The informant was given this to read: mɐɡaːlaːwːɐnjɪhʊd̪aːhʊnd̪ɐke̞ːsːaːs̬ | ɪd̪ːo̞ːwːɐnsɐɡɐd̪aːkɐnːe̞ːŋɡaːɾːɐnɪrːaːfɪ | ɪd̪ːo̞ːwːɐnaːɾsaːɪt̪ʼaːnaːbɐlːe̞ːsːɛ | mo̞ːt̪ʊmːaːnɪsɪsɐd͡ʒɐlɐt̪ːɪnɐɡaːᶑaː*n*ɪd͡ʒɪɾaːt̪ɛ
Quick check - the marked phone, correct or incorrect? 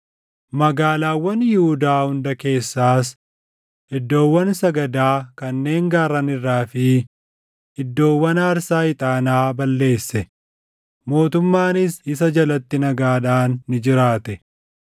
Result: incorrect